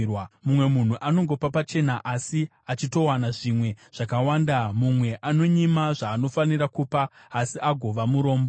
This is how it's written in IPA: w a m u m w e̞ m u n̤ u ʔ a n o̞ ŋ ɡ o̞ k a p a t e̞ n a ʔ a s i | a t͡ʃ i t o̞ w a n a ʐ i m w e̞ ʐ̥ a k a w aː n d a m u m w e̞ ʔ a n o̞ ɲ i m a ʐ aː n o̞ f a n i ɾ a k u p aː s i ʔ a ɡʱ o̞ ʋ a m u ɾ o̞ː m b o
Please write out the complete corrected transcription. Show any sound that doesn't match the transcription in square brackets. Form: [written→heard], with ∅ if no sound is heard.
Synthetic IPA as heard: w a m u m w e̞ m u n̤ u ʔ a n o̞ ŋ ɡ o̞ [k→p] a p a [t→t͡ʃ] e̞ n a ʔ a s i | a t͡ʃ i t o̞ w a n a ʐ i m w e̞ ʐ̥ a k a w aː n d a m u m w e̞ ʔ a n o̞ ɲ i m a ʐ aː n o̞ f a n i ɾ a k u p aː s i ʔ a ɡʱ o̞ ʋ a m u ɾ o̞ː m b o

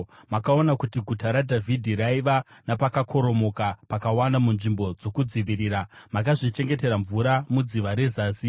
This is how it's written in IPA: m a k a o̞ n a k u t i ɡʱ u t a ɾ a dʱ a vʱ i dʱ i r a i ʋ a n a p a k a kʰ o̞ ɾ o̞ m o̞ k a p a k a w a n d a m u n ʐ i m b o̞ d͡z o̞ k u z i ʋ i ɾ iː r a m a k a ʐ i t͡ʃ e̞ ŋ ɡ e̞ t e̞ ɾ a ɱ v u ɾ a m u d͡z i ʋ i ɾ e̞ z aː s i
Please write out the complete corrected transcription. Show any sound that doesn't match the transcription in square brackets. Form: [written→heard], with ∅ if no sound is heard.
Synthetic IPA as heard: m a k a o̞ n a k u t i ɡʱ u t a ɾ a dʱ a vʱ i dʱ i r a i ʋ a n a p a k a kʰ o̞ ɾ o̞ m o̞ k a p a k a w a n d a m u n ʐ i m b o̞ d͡z o̞ k u [z→d͡z] i ʋ i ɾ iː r a m a k a ʐ i t͡ʃ e̞ ŋ ɡ e̞ t e̞ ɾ a ɱ v u ɾ a m u d͡z i ʋ [i→a] ɾ e̞ z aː s i

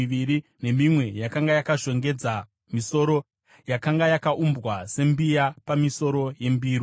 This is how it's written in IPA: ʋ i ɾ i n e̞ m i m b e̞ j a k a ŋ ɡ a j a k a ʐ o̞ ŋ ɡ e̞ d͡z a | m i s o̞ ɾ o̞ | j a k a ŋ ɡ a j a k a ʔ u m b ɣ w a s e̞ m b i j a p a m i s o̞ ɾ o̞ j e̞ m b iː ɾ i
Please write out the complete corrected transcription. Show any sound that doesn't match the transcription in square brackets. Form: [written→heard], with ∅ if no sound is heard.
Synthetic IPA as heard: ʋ i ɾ i n e̞ m i m [b→w] e̞ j a k a ŋ ɡ a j a k a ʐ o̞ ŋ ɡ e̞ d͡z a | m i s o̞ ɾ o̞ | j a k a ŋ ɡ a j a k a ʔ u m b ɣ w a s e̞ m b i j a p a m i s o̞ ɾ o̞ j e̞ m b iː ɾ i

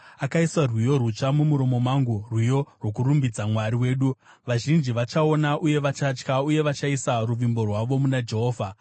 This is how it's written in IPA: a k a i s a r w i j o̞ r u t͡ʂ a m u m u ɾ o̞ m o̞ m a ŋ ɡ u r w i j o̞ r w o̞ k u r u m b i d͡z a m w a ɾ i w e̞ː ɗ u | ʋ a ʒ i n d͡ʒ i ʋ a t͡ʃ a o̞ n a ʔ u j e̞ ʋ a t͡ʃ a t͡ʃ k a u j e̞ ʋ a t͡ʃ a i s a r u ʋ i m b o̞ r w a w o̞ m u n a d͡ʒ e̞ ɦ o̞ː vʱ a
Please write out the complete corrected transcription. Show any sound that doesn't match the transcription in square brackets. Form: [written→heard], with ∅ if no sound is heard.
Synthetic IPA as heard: a k a i s a r w i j o̞ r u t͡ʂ a m u m u ɾ o̞ m o̞ m a ŋ ɡ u r w i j o̞ r w o̞ k u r u m b i d͡z a m w a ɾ i w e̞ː ɗ u | ʋ a ʒ i n d͡ʒ i ʋ a t͡ʃ a o̞ n a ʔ u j e̞ ʋ a t͡ʃ a t͡ʃ k a u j e̞ ʋ a t͡ʃ a i s a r u ʋ i m b o̞ r w a [w→ʋ] o̞ m u n a d͡ʒ e̞ ɦ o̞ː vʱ a

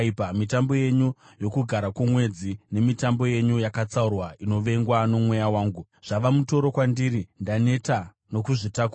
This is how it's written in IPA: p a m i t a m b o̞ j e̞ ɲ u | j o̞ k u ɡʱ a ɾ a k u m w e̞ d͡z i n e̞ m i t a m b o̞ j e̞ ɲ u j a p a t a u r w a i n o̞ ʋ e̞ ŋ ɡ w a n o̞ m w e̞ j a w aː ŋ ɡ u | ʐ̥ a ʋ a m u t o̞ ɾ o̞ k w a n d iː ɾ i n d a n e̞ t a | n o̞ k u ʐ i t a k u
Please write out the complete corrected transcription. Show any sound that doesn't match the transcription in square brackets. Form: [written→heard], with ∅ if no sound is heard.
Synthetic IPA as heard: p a m i t a m b o̞ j e̞ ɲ u | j o̞ k u ɡʱ a ɾ a k u m w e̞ d͡z i n e̞ m i t a m b o̞ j e̞ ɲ u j a [p→k] a [t→t͡s] a u r w a i n o̞ ʋ e̞ ŋ ɡ w a n o̞ m w e̞ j a w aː ŋ ɡ u | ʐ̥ a ʋ a m u t o̞ ɾ o̞ k w a n d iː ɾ i n d a n e̞ t a | n o̞ k u ʐ i t a k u

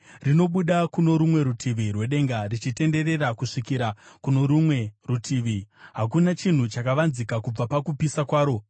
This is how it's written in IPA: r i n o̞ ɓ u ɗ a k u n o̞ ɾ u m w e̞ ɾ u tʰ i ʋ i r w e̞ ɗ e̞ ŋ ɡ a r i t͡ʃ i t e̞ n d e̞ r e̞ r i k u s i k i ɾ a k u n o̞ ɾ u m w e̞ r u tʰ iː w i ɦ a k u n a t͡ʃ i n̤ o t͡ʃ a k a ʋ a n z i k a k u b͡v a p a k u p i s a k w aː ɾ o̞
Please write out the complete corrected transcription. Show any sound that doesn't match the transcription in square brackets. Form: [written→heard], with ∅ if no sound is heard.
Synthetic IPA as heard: r i n o̞ ɓ u ɗ a k u n o̞ ɾ u m w e̞ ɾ u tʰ i ʋ i r w e̞ ɗ e̞ ŋ ɡ a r i t͡ʃ i t e̞ n d e̞ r e̞ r [i→a] k u [s→ʂ] i k i ɾ a k u n o̞ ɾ u m w e̞ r u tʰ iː [w→ʋ] i ɦ a k u n a t͡ʃ i n̤ [o→u] t͡ʃ a k a ʋ a n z i k a k u b͡v a p a k u p i s a k w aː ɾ o̞

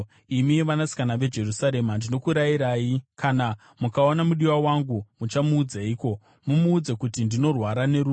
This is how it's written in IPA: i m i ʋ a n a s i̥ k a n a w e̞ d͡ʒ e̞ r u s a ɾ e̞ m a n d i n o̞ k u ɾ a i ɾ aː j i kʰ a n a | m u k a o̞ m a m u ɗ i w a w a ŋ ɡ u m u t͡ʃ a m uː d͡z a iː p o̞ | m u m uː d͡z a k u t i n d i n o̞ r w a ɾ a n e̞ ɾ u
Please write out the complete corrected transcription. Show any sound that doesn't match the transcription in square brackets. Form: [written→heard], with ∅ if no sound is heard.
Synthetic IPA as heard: i m i ʋ a n a s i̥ k a n a [w→ʋ] e̞ d͡ʒ e̞ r u s a ɾ e̞ m a n d i n o̞ k u ɾ a i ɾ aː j i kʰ a n a | m u k a o̞ [m→n] a m u ɗ i w a w a ŋ ɡ u m u t͡ʃ a m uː d͡z a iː [p→k] o̞ | m u m uː d͡z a k u t i n d i n o̞ r w a ɾ a n e̞ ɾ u

